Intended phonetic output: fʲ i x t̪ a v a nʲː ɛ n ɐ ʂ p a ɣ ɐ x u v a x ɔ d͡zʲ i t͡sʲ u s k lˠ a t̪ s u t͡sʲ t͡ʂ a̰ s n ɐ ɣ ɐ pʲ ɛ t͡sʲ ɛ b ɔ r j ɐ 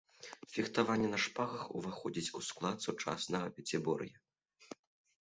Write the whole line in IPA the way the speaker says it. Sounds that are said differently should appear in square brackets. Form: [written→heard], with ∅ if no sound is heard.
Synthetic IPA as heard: fʲ i x t̪ a v a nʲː ɛ n ɐ ʂ p a ɣ ɐ x u v a x ɔ d͡zʲ i t͡sʲ u s k lˠ a t̪ s u [t͡sʲ→∅] t͡ʂ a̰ s n ɐ ɣ ɐ pʲ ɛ t͡sʲ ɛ b ɔ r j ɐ

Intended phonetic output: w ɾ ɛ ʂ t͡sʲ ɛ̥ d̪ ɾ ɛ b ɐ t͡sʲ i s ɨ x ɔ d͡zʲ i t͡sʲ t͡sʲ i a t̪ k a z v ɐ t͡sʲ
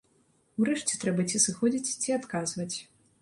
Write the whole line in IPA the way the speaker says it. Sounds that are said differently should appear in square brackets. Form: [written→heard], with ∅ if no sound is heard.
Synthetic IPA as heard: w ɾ ɛ ʂ t͡sʲ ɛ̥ [d̪→t̪] ɾ ɛ b ɐ t͡sʲ i s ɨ x ɔ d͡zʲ i t͡sʲ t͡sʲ i a t̪ k a z v ɐ t͡sʲ

